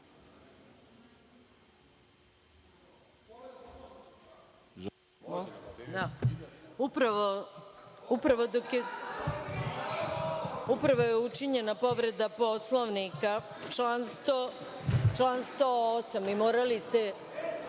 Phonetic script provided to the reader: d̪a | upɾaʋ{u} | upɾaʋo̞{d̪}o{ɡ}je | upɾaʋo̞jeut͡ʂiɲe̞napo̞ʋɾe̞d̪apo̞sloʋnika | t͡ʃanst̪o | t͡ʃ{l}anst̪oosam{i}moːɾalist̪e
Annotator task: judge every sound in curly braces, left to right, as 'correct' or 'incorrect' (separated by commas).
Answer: incorrect, correct, incorrect, correct, correct